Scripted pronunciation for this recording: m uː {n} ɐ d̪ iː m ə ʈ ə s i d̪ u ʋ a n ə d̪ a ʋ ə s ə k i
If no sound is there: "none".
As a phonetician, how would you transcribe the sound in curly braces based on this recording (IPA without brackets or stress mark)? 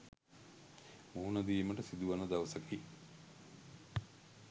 n